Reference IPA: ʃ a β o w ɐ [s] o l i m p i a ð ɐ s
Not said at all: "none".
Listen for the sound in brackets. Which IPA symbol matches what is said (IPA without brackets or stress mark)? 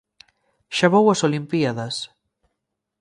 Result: s